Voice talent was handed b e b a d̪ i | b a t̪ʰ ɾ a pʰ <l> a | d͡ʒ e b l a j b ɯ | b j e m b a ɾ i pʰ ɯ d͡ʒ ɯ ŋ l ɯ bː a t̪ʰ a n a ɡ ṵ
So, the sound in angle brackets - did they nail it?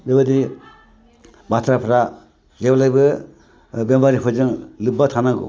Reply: no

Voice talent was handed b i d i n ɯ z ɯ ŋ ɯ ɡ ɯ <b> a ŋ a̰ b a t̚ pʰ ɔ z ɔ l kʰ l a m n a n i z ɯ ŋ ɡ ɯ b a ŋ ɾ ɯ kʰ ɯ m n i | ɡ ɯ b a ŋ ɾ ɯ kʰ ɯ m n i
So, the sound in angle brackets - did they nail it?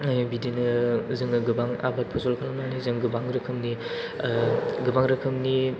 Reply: yes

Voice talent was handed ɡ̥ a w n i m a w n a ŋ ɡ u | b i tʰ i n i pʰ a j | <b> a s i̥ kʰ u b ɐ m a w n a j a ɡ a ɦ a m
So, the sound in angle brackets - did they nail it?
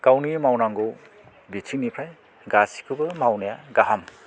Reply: no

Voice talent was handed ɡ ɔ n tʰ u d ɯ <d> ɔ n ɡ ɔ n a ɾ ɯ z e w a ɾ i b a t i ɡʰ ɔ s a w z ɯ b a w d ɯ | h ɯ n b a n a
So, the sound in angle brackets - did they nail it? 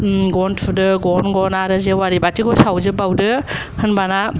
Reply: no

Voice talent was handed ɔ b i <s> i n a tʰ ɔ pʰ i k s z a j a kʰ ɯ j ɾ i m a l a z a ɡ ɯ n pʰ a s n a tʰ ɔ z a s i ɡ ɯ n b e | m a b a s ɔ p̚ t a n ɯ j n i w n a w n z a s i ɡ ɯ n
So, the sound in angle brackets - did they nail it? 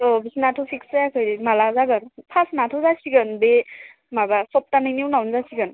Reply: yes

